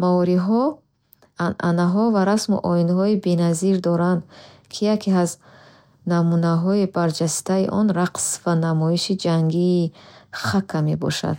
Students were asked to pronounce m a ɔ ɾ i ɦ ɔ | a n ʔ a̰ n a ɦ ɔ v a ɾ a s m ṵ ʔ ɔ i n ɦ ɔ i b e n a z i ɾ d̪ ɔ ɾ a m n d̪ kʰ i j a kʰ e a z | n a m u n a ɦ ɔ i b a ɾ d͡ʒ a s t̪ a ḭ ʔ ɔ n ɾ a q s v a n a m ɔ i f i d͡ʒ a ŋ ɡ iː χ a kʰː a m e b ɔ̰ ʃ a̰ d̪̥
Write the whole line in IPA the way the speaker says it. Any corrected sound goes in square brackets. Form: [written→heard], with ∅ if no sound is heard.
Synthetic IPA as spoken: m a ɔ ɾ i ɦ ɔ | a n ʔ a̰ n a ɦ ɔ v a ɾ a s m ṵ ʔ ɔ i n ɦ ɔ i b e n a z i ɾ d̪ ɔ ɾ a [m→∅] n d̪ kʰ i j a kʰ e a z | n a m u n a ɦ ɔ i b a ɾ d͡ʒ a s t̪ a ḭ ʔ ɔ n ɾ a q s v a n a m ɔ i [f→ʃ] i d͡ʒ a ŋ ɡ iː χ a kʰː a m e b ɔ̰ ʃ a̰ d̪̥